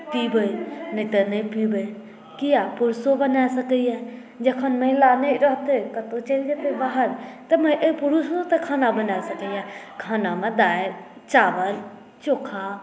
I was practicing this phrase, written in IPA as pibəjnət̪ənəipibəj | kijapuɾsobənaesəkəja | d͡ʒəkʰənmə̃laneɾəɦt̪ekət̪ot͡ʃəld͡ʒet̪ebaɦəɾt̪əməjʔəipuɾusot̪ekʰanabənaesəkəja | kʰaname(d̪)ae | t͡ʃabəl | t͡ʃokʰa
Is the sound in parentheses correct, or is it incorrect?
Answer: correct